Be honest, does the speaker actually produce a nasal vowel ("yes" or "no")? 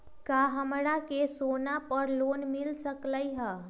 no